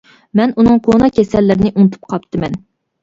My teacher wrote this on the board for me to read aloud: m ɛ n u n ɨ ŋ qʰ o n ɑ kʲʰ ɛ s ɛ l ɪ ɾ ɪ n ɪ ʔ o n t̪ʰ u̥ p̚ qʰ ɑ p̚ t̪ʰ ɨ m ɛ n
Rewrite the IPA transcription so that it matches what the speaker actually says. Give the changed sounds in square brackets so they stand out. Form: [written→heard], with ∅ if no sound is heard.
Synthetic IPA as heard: m ɛ n u n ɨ ŋ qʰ o n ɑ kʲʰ ɛ s ɛ [l→lː] ɪ ɾ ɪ n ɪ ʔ [o→u] n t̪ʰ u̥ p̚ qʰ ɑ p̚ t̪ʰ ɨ m ɛ n